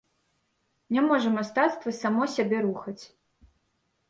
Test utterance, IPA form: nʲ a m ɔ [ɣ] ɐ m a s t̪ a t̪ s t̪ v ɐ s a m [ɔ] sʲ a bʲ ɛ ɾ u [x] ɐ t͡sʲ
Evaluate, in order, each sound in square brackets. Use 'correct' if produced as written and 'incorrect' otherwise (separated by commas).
incorrect, correct, correct